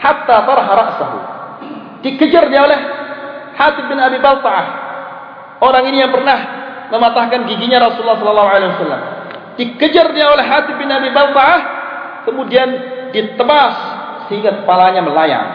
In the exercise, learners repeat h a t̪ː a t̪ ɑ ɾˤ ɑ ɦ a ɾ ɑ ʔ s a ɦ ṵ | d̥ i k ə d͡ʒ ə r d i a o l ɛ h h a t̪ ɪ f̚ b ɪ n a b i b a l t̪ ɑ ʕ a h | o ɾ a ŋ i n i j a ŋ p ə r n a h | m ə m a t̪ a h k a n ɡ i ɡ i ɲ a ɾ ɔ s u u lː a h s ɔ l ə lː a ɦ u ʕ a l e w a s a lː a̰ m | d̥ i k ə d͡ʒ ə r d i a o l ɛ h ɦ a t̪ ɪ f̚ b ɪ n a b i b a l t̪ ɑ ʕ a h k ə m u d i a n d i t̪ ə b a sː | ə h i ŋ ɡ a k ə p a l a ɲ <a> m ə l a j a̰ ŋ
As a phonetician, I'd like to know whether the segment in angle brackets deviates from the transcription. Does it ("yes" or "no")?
no